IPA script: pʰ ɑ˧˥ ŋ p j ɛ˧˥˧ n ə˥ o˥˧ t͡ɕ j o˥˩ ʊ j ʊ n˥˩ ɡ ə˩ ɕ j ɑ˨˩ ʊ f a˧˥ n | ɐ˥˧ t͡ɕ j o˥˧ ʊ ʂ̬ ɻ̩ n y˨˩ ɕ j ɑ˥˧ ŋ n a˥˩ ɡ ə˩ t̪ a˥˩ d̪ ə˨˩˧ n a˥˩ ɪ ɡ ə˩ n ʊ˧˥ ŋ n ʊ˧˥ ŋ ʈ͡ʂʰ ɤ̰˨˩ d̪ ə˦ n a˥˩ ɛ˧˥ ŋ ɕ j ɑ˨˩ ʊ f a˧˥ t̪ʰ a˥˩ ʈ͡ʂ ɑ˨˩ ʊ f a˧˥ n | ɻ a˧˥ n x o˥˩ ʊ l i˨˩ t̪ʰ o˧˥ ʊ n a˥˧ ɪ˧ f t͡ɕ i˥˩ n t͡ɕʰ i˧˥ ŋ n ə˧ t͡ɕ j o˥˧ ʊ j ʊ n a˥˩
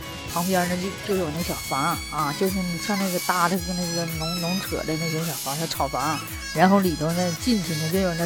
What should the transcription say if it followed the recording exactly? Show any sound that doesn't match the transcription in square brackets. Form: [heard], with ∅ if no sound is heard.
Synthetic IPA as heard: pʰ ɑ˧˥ ŋ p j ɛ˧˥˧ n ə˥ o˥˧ t͡ɕ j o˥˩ ʊ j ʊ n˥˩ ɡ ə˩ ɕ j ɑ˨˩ ʊ f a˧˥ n | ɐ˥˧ t͡ɕ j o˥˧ ʊ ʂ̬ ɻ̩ n [i˨˩] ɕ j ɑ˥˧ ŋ n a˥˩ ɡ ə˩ t̪ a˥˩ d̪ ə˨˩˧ n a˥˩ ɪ ɡ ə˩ n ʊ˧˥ ŋ n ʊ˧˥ ŋ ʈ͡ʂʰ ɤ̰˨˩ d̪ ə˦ n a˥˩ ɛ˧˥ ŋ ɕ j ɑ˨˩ ʊ f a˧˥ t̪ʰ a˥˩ [ʈ͡ʂʰ] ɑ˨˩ ʊ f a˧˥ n | ɻ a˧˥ n x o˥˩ ʊ l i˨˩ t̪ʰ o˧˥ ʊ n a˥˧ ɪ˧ [∅] t͡ɕ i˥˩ n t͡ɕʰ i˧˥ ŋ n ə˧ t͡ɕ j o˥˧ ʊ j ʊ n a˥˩